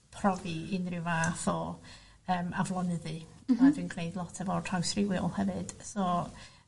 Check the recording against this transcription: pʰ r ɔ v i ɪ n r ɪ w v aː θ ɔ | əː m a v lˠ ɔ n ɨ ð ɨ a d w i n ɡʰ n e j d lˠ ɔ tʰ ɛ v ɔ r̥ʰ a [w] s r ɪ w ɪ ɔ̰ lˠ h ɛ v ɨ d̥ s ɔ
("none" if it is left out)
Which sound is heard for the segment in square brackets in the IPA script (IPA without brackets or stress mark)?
w